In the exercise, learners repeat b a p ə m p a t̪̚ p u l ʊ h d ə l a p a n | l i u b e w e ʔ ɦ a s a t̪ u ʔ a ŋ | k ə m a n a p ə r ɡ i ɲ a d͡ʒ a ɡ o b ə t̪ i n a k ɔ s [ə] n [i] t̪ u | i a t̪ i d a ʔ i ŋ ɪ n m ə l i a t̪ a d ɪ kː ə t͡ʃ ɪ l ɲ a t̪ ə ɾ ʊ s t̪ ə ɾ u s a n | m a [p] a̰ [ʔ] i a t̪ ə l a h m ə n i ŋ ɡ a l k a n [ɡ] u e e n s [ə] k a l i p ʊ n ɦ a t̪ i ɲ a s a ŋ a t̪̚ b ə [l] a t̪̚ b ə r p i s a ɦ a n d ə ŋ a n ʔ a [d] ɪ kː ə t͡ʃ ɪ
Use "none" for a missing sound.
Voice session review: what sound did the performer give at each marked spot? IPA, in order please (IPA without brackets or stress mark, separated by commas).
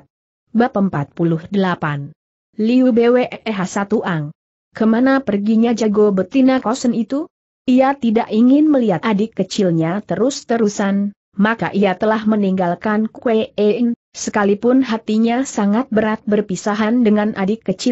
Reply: ə, i, k, ʔ, k, ə, ɾ, d